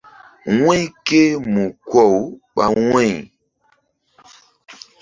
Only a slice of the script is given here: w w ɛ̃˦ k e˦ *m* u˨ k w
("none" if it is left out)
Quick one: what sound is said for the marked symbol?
m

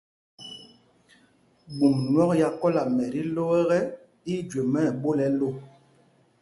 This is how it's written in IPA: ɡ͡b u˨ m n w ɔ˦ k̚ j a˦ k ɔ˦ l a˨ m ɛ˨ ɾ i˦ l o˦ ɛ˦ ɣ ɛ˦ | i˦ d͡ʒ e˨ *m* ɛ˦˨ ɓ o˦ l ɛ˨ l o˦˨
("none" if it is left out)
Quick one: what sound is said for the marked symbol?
m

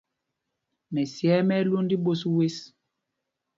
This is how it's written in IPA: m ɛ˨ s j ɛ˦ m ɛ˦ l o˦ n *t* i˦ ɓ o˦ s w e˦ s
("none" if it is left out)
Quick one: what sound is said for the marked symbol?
d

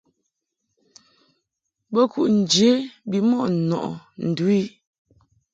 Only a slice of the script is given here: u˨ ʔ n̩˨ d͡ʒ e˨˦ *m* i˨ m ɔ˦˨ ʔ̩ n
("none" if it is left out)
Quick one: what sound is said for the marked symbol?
b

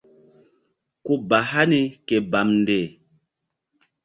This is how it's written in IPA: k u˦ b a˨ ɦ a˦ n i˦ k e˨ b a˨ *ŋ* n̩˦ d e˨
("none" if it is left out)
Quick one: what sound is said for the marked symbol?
m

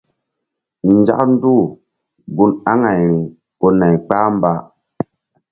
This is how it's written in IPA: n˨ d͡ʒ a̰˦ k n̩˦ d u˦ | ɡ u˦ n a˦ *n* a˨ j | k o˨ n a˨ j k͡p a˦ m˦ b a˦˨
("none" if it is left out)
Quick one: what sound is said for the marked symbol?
ŋ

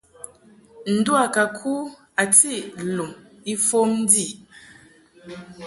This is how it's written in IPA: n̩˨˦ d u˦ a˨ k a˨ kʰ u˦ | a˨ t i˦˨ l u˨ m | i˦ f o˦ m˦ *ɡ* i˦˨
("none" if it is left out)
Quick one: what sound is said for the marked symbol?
d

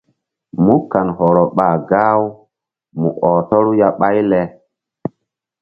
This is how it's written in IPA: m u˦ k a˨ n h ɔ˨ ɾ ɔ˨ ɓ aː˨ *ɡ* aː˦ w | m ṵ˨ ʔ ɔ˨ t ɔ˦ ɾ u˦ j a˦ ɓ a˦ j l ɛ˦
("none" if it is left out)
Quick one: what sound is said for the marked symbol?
ɡ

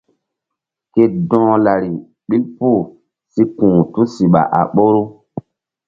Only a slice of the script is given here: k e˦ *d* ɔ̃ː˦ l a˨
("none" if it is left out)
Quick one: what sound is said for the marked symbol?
d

